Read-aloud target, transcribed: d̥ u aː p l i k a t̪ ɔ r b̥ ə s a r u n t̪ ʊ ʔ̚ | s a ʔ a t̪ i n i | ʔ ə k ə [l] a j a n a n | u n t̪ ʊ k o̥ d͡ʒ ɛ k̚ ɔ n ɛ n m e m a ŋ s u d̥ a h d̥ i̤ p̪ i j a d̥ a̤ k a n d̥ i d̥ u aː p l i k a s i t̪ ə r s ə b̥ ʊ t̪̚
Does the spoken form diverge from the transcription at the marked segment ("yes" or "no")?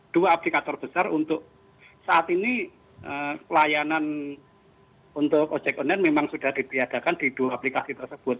no